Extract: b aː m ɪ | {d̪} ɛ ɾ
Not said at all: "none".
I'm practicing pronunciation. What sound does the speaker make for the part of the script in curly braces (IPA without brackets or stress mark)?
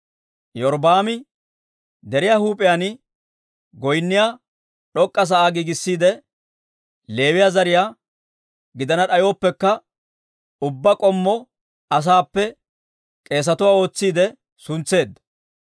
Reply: d̪